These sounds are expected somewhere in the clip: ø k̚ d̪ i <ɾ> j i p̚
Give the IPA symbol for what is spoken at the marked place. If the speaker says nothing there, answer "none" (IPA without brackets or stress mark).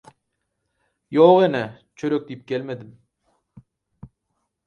none